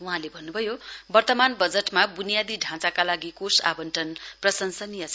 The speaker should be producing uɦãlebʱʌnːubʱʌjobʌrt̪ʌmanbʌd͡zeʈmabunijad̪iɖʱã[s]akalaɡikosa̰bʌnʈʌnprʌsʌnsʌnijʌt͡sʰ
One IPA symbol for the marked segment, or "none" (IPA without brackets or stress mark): t͡s